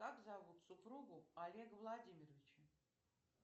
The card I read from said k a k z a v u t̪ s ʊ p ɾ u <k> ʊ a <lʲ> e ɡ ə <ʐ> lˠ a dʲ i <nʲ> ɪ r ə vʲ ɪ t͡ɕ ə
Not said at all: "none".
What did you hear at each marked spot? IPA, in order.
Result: ɡ, lʲ, v, mʲ

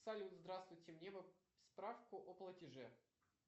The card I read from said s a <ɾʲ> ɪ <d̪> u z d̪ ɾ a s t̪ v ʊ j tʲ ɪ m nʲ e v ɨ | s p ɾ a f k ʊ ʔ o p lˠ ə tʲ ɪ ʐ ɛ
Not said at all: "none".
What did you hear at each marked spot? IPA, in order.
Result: lʲ, none

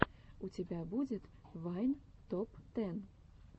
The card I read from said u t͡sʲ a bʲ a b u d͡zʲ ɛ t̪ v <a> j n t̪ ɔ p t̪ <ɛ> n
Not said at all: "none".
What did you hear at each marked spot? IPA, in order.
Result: a, ɛ

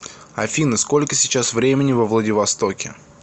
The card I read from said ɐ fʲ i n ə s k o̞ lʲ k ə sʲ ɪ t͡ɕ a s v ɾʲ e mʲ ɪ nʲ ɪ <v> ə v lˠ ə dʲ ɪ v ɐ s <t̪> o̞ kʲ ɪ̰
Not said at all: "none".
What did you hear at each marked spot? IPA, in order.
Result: v, t̪

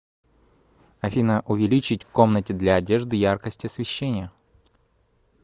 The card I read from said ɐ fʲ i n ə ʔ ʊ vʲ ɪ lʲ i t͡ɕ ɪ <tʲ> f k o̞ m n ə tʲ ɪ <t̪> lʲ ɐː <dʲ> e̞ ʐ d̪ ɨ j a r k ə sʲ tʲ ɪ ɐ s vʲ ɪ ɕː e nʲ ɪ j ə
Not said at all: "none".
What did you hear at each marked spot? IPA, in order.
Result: tʲ, d̪, dʲ

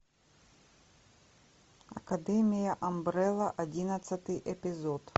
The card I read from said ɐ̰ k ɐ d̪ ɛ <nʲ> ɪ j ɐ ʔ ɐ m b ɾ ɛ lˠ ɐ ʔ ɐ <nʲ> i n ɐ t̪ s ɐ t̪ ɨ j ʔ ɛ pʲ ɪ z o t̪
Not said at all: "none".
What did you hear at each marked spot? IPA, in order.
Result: mʲ, dʲ

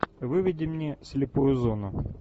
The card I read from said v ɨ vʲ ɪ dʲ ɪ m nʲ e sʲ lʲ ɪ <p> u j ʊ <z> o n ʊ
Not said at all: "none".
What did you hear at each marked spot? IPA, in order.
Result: p, z

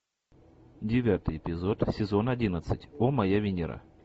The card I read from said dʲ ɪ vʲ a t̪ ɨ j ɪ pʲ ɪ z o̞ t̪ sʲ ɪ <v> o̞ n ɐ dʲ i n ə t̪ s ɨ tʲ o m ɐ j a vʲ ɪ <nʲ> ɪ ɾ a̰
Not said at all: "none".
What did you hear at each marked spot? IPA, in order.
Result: z, nʲ

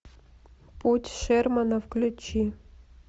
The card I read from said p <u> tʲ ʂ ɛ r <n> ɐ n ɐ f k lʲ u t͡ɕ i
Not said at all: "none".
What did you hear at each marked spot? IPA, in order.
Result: u, m

